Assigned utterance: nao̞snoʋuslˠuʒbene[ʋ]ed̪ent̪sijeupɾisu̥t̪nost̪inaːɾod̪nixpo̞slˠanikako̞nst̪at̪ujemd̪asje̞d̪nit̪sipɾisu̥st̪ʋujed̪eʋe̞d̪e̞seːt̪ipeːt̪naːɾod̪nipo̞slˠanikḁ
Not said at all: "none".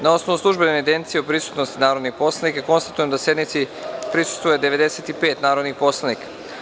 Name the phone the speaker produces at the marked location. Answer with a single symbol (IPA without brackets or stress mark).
none